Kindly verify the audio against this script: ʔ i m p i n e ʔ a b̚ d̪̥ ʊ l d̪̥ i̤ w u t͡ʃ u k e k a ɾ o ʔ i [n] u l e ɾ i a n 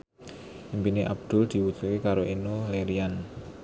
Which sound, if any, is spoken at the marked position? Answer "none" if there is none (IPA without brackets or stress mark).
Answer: n